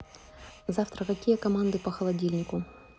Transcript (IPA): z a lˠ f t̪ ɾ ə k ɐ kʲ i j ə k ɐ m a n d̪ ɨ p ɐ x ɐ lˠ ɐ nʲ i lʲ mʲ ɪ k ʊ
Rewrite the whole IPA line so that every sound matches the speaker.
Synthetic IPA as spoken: z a f t̪ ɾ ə k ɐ kʲ i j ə k ɐ m a n d̪ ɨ p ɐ x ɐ lˠ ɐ dʲ i lʲ nʲ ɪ k ʊ